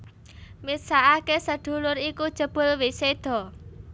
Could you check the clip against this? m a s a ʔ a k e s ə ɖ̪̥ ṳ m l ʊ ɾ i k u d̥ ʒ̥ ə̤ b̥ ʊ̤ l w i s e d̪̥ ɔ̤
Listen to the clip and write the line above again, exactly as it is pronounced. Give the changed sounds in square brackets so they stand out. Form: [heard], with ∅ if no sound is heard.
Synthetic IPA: m [i] s a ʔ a k e s ə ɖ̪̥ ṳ [∅] l ʊ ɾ i k u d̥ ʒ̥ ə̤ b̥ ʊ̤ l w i s e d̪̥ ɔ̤